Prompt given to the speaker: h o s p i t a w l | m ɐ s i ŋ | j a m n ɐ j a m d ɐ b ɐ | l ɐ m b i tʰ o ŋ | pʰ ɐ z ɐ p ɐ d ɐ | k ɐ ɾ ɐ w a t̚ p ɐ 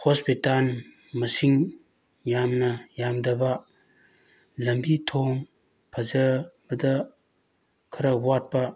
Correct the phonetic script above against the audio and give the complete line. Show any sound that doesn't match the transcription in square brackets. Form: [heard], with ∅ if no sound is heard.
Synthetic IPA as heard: h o s p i t a [∅] l | m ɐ s i ŋ | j a m n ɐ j a m d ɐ b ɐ | l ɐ m b i tʰ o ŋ | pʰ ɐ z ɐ [b] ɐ d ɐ | [kʰ] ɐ ɾ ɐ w a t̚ p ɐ